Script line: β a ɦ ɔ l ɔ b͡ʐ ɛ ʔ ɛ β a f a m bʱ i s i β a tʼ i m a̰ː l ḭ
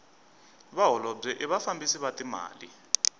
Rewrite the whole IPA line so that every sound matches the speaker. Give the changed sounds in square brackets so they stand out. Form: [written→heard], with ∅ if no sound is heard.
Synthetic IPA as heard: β a ɦ ɔ l ɔ b͡ʐ ɛ ʔ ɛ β a f a m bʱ i s i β a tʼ i m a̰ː l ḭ